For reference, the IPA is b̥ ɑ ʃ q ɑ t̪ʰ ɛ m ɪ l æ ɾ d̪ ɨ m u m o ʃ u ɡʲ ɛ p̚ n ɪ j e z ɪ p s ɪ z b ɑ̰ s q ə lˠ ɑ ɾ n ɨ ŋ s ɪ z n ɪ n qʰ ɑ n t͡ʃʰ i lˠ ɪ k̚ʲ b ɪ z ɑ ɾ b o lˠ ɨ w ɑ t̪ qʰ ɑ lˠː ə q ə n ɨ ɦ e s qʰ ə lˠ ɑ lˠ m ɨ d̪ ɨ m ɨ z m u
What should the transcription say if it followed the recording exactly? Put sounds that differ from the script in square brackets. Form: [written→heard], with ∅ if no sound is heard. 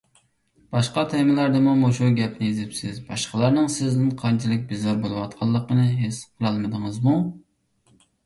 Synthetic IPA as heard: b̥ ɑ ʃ q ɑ t̪ʰ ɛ m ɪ l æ ɾ d̪ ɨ m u m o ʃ u ɡʲ ɛ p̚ n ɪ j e z ɪ p s ɪ z b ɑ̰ [s→ʃ] q ə lˠ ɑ ɾ n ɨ ŋ s ɪ z n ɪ n qʰ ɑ n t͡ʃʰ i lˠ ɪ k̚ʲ b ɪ z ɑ ɾ b o lˠ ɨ w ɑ t̪ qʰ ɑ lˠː ə q ə n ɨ ɦ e s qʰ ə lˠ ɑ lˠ m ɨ d̪ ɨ [m→ŋ] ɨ z m u